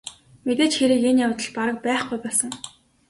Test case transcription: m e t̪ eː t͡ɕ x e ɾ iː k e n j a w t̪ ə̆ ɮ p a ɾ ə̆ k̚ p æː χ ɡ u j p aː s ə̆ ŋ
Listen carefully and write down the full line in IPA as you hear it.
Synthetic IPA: m e t̪ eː t͡ɕ x e ɾ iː k e n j a w t̪ ə̆ ɮ p a ɾ ə̆ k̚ p æː χ ɡ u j p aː s ə̆ ŋ